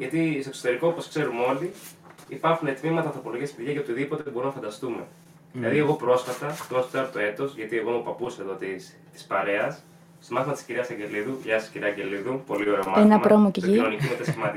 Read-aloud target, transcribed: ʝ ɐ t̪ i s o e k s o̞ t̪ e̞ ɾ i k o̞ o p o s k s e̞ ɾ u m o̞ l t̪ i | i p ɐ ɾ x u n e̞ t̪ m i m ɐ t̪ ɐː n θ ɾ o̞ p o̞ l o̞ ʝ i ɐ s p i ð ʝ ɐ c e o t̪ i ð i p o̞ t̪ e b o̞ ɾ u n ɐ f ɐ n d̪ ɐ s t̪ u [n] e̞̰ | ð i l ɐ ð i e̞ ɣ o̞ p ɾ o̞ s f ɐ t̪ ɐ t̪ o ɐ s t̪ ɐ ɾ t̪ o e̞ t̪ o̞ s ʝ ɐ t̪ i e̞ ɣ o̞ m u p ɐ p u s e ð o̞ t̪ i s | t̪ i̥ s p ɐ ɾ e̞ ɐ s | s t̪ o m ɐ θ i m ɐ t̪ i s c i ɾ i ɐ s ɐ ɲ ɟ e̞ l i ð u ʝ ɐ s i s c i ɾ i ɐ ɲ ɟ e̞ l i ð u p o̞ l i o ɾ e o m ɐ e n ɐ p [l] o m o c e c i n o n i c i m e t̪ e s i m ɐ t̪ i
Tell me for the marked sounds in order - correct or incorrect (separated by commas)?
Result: incorrect, incorrect